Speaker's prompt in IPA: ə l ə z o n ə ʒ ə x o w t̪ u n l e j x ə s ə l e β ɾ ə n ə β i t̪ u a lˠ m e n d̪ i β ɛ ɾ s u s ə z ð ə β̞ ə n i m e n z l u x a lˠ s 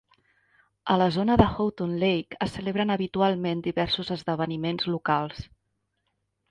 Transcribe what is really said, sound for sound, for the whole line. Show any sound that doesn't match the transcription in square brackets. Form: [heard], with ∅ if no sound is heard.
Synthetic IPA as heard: ə l ə z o n ə [ð] ə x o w t̪ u n l e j [k] ə s ə l e β ɾ ə n ə β i t̪ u a lˠ m e n d̪ i β ɛ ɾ s u [z] ə z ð ə β̞ ə n i m e n z l u [k] a lˠ s